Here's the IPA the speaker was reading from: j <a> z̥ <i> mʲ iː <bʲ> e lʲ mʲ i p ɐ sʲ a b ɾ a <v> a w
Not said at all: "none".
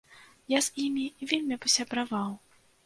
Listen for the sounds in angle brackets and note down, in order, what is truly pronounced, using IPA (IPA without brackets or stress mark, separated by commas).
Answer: a, i, vʲ, v